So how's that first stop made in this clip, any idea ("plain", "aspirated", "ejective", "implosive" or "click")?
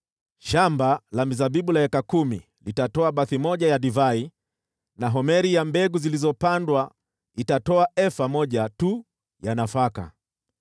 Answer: plain